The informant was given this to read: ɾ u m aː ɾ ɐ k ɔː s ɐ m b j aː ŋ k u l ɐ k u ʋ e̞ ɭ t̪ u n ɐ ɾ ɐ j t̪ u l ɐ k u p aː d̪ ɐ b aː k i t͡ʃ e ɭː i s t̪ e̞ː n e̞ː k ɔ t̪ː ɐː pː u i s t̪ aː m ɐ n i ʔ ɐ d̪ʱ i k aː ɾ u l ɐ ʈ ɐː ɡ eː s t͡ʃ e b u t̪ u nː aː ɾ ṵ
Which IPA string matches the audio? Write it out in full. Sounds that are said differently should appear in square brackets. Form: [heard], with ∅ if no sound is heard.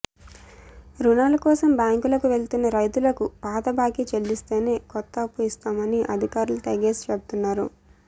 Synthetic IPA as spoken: ɾ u [n] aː [l] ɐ k ɔː s ɐ m b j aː ŋ k u l ɐ k u ʋ e̞ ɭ t̪ u [nː] ɐ ɾ ɐ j t̪ u l ɐ k u p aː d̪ ɐ b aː k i t͡ʃ e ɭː i s t̪ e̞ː n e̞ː k ɔ t̪ː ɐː pː u i s t̪ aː m ɐ n i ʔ ɐ d̪ʱ i k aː ɾ u l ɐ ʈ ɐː ɡ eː s t͡ʃ e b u t̪ u nː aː ɾ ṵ